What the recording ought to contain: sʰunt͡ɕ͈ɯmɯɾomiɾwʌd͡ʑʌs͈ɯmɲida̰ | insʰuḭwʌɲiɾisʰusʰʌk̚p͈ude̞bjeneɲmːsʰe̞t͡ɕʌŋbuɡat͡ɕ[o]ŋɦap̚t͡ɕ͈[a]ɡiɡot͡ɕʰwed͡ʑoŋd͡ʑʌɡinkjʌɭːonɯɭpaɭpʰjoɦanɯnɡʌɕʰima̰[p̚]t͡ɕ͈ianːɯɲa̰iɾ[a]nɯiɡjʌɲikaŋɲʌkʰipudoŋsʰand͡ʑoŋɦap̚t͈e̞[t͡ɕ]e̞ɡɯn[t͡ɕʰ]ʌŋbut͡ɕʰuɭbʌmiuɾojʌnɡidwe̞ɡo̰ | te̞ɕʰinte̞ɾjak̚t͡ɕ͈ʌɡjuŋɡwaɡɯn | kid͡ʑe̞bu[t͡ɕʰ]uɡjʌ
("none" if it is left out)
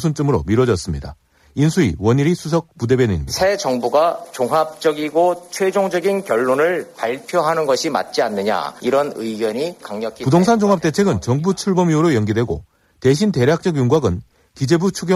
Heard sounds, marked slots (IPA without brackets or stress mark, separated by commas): o, ʌ, t̚, ʌ, t͡ɕʰ, t͡ɕ, t͡ɕʰ